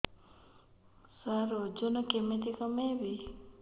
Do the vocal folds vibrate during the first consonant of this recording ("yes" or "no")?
no